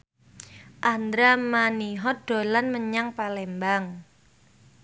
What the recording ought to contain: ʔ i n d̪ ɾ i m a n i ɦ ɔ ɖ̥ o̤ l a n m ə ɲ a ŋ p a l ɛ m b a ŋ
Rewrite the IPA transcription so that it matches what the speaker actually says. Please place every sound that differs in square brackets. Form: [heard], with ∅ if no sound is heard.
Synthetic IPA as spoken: ʔ [a] n d̪ ɾ [a] m a n i ɦ ɔ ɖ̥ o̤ l a n m ə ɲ a ŋ p a l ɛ m b a ŋ